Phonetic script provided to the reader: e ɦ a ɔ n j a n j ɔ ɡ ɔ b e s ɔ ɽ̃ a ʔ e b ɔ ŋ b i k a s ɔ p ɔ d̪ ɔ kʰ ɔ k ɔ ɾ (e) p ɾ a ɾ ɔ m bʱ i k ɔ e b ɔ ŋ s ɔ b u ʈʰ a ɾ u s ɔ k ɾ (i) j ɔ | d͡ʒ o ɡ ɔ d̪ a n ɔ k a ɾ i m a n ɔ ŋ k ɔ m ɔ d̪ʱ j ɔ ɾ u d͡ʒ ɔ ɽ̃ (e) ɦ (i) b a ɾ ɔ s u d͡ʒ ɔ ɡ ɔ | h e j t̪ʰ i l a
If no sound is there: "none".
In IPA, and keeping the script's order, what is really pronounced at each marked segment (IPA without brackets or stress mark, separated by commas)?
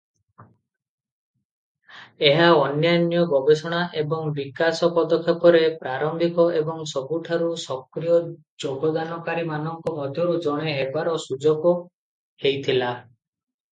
e, i, e, e